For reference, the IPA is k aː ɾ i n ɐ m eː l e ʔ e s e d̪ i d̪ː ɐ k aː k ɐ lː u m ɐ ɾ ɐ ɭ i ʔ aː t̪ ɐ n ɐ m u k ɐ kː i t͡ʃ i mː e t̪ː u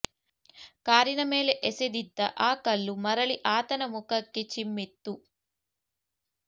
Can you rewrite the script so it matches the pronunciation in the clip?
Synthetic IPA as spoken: k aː ɾ i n ɐ m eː l e ʔ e s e d̪ i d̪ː ɐ ʔ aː k ɐ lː u m ɐ ɾ ɐ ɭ i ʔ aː t̪ ɐ n ɐ m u k ɐ kː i t͡ʃ i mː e t̪ː u